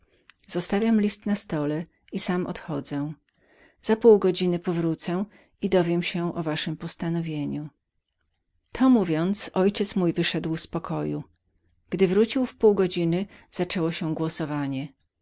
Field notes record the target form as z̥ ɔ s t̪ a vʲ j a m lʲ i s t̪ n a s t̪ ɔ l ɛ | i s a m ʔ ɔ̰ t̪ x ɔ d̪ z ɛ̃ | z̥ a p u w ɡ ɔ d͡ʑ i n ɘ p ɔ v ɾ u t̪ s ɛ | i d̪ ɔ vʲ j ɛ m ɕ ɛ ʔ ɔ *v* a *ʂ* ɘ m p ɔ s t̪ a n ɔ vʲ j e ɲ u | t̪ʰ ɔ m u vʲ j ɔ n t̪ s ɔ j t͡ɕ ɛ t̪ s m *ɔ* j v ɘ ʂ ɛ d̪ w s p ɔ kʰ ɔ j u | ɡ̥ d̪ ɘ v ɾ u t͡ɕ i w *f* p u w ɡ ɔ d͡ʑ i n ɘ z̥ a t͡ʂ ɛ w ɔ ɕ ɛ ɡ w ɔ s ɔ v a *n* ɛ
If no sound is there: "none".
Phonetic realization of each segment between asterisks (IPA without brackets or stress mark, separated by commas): v, ʂ, u, f, ɲ